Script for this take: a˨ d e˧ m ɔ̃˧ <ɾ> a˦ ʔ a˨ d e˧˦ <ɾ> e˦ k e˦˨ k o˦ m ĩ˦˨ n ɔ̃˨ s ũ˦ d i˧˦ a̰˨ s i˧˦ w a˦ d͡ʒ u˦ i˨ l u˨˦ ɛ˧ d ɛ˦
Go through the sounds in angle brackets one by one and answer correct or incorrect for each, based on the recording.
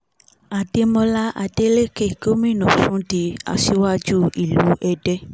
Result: incorrect: l, incorrect: l

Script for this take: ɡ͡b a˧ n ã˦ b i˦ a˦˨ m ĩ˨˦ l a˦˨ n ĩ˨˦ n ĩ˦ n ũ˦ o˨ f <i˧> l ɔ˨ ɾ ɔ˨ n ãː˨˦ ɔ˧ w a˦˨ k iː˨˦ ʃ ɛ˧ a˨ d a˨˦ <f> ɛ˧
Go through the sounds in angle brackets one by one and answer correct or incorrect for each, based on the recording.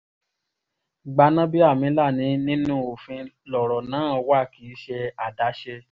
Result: incorrect: ĩ˧, incorrect: ʃ

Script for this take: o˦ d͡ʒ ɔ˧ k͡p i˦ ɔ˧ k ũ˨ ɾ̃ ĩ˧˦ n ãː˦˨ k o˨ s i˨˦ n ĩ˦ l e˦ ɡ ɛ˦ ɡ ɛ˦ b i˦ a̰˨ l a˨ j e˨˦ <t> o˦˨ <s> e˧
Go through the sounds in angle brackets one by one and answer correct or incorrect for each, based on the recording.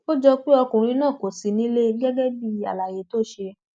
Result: correct, incorrect: ʃ

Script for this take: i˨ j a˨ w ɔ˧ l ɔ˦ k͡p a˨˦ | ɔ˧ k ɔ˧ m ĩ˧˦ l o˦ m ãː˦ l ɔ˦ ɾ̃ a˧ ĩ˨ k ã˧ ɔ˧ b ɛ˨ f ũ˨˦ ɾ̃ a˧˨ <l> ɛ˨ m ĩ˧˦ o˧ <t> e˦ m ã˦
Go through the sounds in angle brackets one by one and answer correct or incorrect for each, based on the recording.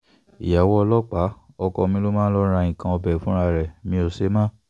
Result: incorrect: ɾ, incorrect: s

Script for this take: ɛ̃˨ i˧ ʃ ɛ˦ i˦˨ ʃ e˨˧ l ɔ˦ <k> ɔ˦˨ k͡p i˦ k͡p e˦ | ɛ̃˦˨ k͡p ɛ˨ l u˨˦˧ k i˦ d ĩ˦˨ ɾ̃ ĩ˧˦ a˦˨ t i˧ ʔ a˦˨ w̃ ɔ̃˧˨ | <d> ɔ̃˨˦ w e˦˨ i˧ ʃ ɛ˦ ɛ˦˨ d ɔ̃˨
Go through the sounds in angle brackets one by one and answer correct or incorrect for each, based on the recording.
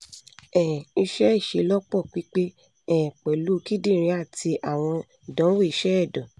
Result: incorrect: k͡p, correct

